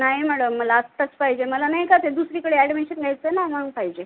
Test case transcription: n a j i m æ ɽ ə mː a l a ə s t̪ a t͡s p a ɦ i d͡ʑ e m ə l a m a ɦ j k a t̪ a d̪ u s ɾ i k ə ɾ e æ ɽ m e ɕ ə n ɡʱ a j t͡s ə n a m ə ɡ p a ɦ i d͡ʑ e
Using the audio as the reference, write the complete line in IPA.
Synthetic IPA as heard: n a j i m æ ɽ ə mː ə l a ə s t̪ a t͡s p a ɦ i d͡ʑ e m ə l a n a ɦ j k a t̪ e d̪ u s ɾ i k ə ɽ e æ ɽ m e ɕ ə n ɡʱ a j t͡s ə n a m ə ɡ p a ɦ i d͡ʑ e

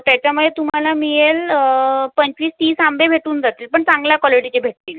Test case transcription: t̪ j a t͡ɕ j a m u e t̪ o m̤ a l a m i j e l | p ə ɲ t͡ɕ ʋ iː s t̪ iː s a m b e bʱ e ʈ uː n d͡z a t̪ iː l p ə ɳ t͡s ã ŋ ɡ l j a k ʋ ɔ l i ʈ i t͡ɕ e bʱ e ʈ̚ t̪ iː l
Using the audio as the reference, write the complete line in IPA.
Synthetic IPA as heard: t̪ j a t͡ɕ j a m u e t̪ u m̤ a l a m i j e l | p ə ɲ t͡ɕ ʋ iː s t̪ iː s a m b e bʱ e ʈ uː n d͡z a t̪ iː l p ə ɳ t͡s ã ŋ ɡ l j a k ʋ ɔ l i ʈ i t͡ɕ e bʱ e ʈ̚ t̪ iː l

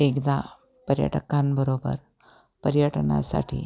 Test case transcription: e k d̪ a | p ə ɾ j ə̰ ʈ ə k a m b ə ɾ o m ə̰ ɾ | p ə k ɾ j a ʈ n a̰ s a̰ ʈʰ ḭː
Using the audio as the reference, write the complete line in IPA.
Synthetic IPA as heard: e k d̪ a | p ə ɾ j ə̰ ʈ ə k a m b ə ɾ o b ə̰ ɾ | p ə ɾ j ə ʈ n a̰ s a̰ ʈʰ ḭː

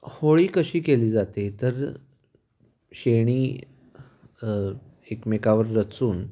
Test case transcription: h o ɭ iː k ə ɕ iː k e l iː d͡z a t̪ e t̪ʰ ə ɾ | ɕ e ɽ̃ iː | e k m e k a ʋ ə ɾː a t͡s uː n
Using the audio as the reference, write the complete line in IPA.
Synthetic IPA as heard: h o ɭ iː k ə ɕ iː k e l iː d͡z a t̪ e t̪ ə ɾ | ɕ e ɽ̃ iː | e k m e k a ʋ ə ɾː ə t͡s uː n

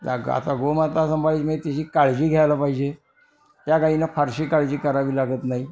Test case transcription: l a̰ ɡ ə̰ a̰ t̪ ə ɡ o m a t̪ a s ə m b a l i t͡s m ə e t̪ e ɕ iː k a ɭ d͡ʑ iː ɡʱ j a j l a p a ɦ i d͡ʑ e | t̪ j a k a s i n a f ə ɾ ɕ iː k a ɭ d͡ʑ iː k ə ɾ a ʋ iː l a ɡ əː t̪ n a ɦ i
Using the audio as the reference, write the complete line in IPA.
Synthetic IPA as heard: l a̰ ɡ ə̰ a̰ t̪ a ɡ o m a t̪ a s ə m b a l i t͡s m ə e t̪ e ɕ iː k a ɭ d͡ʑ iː ɡʱ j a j l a p a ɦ i d͡ʑ e | t̪ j a k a i n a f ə ɾ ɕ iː k a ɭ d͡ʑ iː k ə ɾ a ʋ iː l a ɡ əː t̪ n a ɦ i

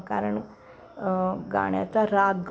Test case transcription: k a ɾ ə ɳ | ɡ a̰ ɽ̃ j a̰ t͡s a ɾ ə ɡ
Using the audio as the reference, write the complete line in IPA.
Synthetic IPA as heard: k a ɾ ə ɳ | ɡ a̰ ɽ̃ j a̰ t͡s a ɾ a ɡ

